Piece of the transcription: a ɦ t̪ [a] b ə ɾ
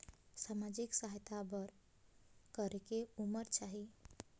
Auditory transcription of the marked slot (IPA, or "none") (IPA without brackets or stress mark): a